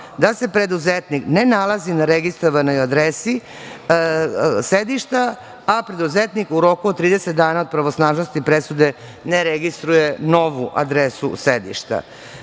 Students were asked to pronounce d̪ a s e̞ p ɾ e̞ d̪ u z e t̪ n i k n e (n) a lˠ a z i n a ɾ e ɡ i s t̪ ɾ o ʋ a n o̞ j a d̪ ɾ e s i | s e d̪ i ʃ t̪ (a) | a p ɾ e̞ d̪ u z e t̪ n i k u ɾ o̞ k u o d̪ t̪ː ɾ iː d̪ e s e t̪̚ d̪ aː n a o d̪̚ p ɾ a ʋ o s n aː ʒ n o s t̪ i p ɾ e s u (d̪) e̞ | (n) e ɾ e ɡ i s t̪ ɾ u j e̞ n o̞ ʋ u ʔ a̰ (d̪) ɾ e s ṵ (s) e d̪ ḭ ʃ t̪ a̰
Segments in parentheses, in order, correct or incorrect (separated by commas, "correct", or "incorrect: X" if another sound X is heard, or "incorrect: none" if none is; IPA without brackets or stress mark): correct, correct, correct, correct, correct, correct